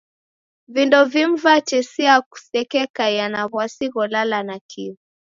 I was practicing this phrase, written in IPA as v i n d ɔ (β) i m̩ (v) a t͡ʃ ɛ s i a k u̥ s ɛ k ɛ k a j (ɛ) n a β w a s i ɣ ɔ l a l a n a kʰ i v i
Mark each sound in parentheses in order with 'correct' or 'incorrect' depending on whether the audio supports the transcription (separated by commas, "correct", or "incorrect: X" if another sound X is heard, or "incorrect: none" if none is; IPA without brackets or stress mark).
incorrect: v, correct, incorrect: a